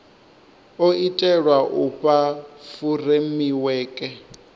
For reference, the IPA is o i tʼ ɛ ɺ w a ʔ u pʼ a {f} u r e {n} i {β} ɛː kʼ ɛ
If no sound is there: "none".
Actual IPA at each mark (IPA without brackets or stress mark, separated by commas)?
f, m, w